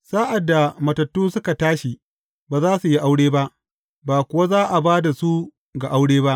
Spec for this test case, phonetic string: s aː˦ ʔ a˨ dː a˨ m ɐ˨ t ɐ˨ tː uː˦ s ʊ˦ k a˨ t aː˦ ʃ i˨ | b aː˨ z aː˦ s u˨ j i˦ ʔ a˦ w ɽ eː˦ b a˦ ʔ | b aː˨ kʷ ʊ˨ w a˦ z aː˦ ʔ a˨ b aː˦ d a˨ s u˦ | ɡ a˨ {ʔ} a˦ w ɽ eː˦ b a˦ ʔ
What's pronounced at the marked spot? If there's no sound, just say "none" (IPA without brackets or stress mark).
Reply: ʔ